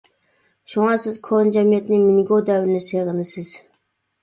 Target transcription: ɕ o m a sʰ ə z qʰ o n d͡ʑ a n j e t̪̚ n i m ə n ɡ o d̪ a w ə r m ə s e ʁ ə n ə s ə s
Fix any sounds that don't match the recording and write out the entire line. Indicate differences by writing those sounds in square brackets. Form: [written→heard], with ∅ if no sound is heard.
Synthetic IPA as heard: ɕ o [m→ŋ] a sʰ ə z [qʰ→kʰ] o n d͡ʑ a [n→m] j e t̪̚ n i m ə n ɡ o d̪ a w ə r [m→n] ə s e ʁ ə n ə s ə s